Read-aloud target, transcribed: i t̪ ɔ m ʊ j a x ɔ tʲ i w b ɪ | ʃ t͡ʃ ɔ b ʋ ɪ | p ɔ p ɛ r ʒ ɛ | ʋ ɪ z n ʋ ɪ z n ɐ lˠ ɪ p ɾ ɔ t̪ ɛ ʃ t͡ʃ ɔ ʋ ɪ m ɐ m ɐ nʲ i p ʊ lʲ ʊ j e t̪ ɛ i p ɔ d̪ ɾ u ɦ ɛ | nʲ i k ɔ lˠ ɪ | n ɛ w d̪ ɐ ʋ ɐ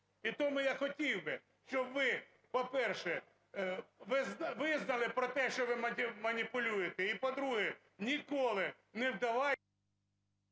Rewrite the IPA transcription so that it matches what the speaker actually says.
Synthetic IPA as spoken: i t̪ ɔ m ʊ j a x ɔ tʲ i w b ɪ | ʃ t͡ʃ ɔ b ʋ ɪ | p ɔ p ɛ r ʃ ɛ | ʋ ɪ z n ʋ ɪ z n ɐ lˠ ɪ p ɾ ɔ t̪ ɛ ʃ t͡ʃ ɔ ʋ ɪ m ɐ m ɐ nʲ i p ʊ lʲ u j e t̪ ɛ i p ɔ d̪ ɾ u ɦ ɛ | nʲ i k ɔ lˠ ɪ | n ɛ w d̪ ɐ ʋ ɑ